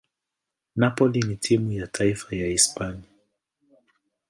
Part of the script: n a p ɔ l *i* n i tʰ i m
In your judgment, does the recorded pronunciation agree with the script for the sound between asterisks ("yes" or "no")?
yes